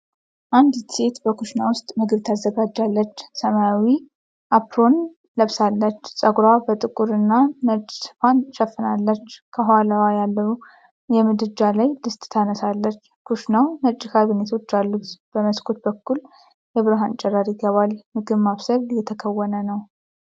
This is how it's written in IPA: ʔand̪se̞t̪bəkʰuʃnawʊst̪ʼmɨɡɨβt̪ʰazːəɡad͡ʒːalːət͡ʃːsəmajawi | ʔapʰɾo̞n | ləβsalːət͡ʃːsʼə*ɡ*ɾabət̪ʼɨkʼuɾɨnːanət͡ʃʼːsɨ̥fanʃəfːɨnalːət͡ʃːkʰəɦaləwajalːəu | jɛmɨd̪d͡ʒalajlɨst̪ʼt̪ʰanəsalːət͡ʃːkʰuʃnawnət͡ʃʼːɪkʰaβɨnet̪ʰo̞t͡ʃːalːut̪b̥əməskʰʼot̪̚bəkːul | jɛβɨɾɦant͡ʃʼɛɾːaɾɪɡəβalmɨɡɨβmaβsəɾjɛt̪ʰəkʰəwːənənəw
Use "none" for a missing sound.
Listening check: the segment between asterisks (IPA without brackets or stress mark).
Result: ɡ